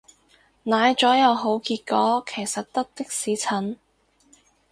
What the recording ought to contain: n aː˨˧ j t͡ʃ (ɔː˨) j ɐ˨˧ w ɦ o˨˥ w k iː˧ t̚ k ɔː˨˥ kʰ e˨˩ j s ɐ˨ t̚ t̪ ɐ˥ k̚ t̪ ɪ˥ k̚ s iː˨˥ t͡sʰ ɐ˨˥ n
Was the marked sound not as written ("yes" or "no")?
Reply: yes